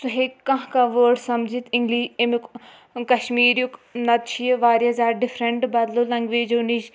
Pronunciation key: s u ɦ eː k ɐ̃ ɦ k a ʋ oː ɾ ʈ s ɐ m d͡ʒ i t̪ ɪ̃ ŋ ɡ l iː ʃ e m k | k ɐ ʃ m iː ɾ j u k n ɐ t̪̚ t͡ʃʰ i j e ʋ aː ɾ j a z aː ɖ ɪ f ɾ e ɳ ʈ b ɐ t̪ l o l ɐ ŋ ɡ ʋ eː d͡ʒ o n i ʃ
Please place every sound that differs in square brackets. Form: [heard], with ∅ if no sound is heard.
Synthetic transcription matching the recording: s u ɦ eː k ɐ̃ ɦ k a ʋ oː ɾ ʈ s ɐ m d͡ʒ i t̪ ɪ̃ ŋ ɡ l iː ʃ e m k | k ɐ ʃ m iː ɾ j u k n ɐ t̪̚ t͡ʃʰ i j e ʋ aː ɾ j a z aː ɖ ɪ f ɾ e ɳ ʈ b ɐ [d̪] l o l ɐ ŋ ɡ ʋ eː d͡ʒ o n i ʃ